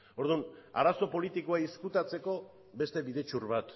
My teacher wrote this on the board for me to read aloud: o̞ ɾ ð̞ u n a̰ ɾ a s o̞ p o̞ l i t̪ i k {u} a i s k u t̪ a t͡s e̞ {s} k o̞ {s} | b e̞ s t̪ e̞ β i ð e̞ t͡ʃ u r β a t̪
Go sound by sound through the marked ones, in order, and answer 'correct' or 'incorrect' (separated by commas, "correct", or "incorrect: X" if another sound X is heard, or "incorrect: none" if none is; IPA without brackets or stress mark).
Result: incorrect: o, incorrect: none, incorrect: none